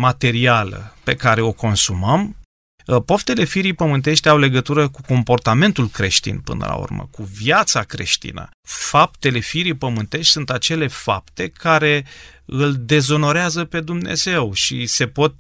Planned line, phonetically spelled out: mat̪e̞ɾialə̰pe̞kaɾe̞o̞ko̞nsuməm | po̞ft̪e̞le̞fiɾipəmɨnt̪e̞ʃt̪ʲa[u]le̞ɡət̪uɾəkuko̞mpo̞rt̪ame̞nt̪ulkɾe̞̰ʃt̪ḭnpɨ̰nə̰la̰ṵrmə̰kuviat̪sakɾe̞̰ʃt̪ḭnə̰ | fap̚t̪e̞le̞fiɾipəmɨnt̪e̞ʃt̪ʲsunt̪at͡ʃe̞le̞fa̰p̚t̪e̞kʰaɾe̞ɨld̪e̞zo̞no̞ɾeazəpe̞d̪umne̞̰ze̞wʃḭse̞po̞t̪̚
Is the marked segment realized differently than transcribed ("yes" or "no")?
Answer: yes